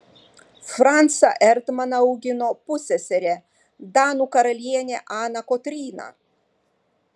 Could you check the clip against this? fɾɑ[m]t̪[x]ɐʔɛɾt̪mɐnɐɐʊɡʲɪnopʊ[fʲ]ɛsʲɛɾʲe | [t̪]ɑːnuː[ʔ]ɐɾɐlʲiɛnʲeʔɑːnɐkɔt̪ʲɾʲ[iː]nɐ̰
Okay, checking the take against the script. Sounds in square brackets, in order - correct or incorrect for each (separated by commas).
incorrect, incorrect, incorrect, incorrect, incorrect, correct